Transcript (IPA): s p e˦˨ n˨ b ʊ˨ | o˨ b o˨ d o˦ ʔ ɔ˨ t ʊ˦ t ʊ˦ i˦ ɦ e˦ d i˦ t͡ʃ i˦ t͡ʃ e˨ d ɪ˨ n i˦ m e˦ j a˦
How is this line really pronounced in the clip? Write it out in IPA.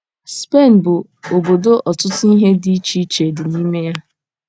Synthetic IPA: s p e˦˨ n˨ b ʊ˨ | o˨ b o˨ d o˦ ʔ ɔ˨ t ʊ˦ t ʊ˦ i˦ ɦ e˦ d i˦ t͡ʃ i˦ t͡ʃ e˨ d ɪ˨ n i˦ m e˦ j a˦